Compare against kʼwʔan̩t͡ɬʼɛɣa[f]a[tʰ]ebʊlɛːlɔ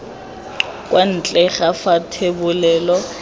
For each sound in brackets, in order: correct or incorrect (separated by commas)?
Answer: correct, correct